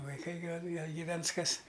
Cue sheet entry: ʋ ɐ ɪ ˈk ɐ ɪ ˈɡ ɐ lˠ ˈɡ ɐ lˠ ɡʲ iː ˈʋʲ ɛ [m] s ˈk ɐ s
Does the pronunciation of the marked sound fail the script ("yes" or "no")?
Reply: yes